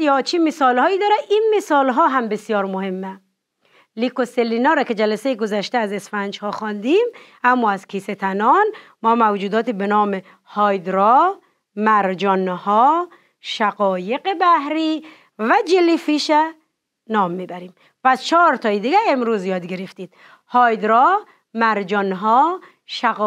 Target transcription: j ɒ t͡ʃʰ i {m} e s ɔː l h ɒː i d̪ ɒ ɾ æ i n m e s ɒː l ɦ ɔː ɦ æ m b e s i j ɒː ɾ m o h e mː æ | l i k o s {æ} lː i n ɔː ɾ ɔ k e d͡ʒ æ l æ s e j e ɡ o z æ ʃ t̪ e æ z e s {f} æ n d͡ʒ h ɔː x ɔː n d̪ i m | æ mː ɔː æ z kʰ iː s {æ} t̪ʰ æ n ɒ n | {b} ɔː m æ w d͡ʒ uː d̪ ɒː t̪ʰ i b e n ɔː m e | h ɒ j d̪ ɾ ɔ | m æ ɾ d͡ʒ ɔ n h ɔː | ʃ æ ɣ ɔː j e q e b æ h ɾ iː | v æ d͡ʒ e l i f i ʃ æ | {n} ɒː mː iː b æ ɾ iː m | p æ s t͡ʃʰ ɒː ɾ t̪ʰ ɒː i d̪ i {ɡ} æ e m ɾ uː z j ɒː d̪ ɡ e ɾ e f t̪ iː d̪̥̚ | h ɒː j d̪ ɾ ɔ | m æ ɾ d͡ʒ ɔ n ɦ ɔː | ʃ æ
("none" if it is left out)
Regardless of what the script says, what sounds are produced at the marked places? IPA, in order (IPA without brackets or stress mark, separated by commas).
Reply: m, e, f, e, m, n, ɡ